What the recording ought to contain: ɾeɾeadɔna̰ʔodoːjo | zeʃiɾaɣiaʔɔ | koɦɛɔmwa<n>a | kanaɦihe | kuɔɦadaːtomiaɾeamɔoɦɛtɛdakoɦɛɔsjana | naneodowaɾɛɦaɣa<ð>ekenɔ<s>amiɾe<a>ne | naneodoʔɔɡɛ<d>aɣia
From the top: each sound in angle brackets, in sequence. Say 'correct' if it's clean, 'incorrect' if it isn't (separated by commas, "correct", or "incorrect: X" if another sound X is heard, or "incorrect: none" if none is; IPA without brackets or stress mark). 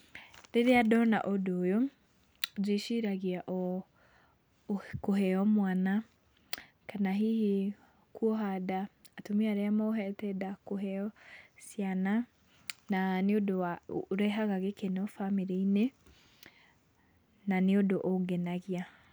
correct, incorrect: ɣ, incorrect: f, incorrect: i, incorrect: n